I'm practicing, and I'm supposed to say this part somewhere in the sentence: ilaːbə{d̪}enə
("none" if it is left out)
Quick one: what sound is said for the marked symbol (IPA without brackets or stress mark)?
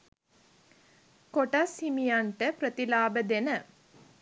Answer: d̪